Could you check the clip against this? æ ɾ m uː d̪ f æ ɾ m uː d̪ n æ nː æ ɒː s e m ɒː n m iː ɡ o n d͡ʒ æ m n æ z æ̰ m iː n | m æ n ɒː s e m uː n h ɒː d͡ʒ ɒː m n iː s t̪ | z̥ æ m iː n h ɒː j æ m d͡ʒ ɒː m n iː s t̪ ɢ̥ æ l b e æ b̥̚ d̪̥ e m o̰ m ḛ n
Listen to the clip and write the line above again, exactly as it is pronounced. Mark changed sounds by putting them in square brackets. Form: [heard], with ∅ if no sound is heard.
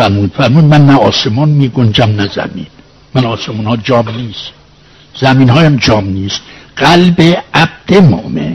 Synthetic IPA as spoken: æ ɾ m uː d̪ f æ ɾ m uː d̪ [m] æ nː æ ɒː s e m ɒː n m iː ɡ o n d͡ʒ æ m n æ z æ̰ m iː n | m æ n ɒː s e m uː n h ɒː d͡ʒ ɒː m n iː s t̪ | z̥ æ m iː n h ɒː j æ m d͡ʒ ɒː m n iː s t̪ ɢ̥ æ l b e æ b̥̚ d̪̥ e m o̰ m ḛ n